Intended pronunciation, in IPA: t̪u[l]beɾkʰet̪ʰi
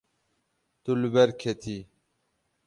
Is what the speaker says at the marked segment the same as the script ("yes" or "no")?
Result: yes